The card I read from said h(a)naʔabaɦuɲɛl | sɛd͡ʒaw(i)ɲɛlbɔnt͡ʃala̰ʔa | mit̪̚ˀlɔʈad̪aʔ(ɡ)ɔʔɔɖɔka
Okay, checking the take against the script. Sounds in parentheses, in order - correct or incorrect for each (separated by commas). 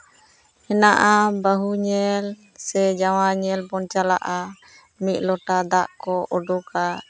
incorrect, incorrect, incorrect